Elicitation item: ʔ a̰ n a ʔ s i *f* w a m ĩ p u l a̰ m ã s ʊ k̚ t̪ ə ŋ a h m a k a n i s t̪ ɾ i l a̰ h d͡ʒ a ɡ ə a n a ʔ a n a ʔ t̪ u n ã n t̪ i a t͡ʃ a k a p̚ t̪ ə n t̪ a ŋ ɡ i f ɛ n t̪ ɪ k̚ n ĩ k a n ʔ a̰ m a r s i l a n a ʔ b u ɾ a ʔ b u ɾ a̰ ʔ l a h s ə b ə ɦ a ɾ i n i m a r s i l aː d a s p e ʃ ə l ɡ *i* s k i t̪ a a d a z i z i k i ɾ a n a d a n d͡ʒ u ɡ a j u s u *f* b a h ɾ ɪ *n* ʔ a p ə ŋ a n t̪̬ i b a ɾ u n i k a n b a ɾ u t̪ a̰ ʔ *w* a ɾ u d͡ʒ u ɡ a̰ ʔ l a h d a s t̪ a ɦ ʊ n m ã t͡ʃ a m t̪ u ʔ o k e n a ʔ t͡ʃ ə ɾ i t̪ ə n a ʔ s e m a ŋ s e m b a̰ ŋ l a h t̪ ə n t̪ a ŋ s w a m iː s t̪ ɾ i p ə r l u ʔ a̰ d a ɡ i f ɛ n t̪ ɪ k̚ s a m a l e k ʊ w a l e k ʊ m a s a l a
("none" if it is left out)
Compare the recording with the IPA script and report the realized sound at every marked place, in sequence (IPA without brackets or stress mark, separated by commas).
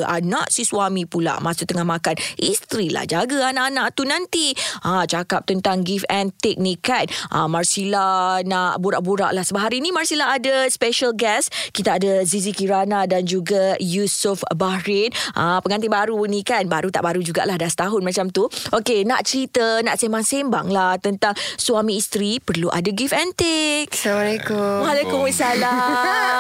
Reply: s, ɛ, f, n, b